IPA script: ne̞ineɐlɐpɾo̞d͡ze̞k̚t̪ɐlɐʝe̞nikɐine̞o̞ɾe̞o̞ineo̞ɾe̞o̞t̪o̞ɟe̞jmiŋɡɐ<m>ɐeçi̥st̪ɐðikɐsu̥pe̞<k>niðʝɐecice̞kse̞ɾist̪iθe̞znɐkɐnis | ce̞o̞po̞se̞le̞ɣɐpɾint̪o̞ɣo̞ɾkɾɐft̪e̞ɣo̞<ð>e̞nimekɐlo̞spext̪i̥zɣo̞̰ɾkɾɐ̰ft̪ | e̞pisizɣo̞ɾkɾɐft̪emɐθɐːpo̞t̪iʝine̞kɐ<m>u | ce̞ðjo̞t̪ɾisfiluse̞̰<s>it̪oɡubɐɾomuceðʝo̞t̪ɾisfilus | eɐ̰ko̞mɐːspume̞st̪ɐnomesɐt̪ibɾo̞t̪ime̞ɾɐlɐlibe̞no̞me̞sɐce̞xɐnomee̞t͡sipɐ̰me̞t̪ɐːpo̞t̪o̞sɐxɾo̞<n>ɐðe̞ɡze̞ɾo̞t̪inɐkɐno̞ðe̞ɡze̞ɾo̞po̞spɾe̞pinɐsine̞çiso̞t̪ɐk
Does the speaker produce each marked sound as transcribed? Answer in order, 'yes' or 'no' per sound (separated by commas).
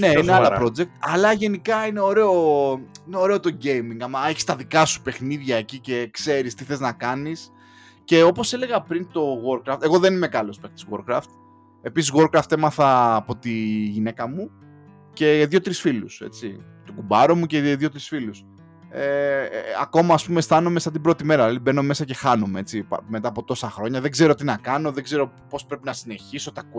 yes, no, yes, yes, no, no